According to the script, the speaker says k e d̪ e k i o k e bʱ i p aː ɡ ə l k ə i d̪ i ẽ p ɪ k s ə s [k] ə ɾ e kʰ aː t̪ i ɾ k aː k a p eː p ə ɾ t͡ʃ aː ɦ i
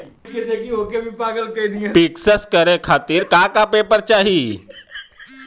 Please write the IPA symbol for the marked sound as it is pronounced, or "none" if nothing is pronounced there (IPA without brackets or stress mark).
k